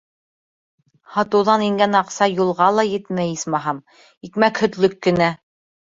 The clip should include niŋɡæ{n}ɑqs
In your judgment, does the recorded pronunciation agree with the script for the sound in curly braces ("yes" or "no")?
yes